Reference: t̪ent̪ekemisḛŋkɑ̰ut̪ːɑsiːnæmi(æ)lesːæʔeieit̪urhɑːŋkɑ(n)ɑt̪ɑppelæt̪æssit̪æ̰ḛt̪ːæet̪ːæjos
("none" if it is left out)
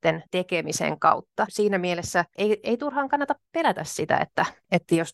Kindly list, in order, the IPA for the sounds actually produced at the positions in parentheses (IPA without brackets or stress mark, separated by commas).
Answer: e, nː